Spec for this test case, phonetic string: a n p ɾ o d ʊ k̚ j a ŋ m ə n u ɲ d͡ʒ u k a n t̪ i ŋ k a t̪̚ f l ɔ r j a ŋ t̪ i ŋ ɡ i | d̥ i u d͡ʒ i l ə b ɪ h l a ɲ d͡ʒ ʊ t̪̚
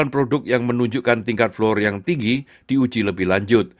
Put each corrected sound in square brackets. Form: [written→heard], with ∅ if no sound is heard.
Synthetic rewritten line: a n p ɾ o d ʊ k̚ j a ŋ m ə n u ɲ d͡ʒ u k a n t̪ i ŋ k a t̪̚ f l ɔ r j a ŋ t̪ i ŋ ɡ i | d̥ i u d͡ʒ i l ə b ɪ h l a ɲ d͡ʒ ʊ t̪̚